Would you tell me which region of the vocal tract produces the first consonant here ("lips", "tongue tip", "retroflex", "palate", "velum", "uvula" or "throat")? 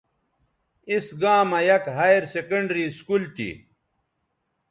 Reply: tongue tip